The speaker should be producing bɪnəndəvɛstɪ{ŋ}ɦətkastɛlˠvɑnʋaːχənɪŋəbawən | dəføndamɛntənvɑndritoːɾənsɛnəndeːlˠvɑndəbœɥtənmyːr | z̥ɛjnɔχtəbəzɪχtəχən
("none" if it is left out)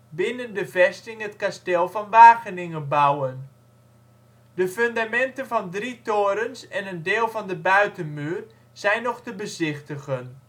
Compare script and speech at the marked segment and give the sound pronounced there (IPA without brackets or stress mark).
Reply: ŋ